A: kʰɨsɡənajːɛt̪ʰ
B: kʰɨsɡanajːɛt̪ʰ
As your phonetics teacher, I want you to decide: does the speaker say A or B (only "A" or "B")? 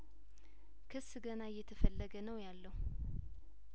A